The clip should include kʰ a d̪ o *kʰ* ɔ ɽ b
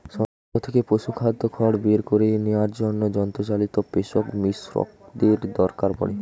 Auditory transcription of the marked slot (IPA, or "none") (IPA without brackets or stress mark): kʰ